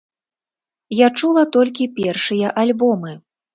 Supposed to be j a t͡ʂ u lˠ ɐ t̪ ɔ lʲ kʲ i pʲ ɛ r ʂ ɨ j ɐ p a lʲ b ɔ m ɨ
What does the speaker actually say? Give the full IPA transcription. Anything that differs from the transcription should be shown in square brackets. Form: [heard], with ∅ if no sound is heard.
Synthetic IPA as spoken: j a t͡ʂ u lˠ ɐ t̪ ɔ lʲ kʲ i pʲ ɛ r ʂ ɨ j ɐ [ʔ] a lʲ b ɔ m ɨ